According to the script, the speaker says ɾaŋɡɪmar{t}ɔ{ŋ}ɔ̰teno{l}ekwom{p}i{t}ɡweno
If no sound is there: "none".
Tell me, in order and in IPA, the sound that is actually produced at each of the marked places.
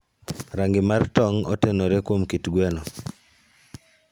t, ŋ, ɾ, k, t

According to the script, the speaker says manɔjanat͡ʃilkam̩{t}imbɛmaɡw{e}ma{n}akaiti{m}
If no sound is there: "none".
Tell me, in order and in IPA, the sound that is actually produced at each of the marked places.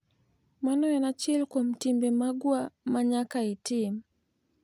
t, a, ɲ, m

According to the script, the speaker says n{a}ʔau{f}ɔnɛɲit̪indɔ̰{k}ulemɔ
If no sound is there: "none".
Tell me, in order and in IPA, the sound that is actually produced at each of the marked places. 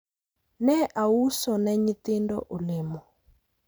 ɛ, s, ʔ

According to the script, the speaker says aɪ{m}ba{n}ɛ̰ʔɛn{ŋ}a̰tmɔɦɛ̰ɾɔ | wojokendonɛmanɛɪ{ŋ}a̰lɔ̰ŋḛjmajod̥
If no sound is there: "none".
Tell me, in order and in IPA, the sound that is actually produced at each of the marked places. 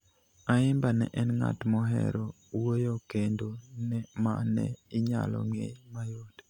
m, n, ŋ, ɲ

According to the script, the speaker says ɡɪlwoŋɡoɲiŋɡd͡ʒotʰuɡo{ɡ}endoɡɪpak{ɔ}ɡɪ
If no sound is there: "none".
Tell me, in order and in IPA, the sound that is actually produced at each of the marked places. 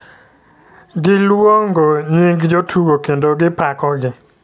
k, ɔ

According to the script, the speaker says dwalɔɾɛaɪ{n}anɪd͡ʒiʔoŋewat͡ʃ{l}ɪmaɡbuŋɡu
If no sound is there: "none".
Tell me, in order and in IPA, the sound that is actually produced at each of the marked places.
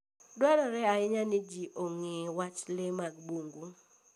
ɲ, l

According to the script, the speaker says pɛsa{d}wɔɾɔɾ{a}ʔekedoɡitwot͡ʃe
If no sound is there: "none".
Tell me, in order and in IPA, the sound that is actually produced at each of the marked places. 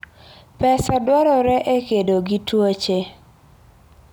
d, ɛ

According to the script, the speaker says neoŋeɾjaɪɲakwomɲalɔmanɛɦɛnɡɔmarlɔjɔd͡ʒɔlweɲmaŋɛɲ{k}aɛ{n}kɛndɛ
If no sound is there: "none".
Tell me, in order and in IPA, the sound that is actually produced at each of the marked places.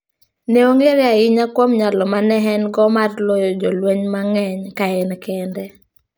k, n

